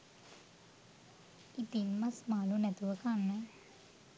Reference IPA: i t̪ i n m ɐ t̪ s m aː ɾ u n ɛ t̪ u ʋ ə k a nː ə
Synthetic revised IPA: i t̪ i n m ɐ s m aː l u n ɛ t̪ u ʋ ə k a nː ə